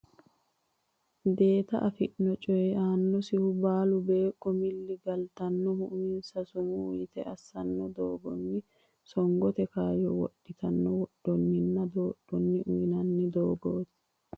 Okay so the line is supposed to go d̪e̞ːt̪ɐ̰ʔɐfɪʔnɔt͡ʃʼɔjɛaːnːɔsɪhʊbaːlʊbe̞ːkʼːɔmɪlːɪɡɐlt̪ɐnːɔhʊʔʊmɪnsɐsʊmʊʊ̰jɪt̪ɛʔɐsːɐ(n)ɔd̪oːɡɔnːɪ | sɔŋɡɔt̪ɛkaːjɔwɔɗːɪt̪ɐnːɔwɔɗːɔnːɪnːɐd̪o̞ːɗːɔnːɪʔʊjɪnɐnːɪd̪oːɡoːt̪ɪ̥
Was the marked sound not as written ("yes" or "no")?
yes